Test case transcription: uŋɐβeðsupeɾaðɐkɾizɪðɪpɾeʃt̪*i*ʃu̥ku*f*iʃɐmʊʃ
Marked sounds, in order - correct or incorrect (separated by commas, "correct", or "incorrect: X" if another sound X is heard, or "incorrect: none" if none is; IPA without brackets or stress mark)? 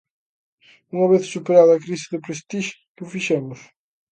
correct, correct